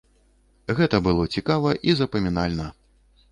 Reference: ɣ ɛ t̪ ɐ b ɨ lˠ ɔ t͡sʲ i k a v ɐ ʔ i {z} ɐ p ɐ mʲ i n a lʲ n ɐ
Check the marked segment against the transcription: correct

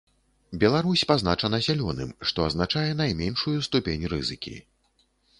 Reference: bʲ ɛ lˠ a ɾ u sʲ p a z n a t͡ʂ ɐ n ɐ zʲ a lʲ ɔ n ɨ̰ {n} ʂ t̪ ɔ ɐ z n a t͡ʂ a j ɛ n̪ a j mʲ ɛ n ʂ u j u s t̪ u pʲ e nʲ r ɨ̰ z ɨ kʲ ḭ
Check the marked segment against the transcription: incorrect: m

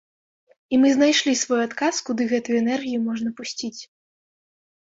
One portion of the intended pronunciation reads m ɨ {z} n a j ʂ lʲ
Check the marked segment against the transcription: correct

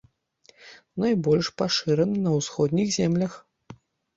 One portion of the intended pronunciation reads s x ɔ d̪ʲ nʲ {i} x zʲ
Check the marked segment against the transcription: correct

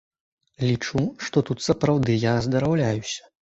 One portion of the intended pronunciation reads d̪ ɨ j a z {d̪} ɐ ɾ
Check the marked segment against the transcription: correct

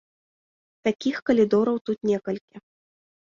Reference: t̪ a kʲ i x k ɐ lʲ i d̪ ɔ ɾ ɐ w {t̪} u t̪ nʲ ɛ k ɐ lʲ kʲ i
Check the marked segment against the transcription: correct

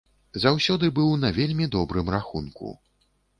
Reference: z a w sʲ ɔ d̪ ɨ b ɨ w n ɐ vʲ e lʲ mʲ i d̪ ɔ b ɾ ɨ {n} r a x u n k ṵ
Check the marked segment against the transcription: incorrect: m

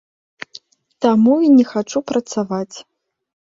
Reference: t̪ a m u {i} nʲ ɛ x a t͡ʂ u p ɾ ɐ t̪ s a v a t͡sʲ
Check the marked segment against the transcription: correct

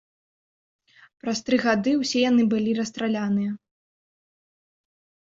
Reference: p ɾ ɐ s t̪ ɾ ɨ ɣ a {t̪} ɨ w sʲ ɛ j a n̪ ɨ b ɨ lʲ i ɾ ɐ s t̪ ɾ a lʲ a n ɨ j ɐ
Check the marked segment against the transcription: incorrect: d̪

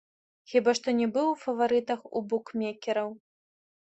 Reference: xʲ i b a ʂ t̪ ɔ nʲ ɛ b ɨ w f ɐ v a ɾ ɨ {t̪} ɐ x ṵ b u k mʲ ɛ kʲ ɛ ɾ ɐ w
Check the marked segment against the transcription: correct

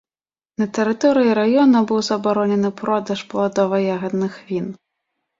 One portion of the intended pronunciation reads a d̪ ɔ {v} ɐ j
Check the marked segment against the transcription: correct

